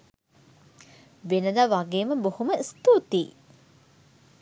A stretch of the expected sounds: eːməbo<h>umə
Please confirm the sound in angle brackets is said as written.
yes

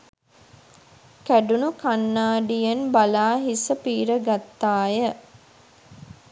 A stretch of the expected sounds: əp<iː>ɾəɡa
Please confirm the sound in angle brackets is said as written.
yes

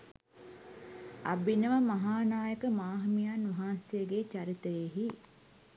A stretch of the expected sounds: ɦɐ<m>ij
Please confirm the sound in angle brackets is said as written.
yes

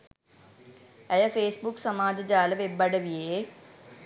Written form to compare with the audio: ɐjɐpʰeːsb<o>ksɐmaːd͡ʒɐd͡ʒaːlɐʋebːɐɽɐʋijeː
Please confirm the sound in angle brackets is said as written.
no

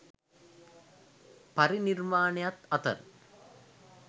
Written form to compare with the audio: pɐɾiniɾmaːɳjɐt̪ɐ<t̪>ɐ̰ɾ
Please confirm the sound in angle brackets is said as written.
yes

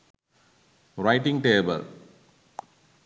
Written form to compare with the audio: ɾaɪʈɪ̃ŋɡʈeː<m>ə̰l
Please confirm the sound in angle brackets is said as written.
no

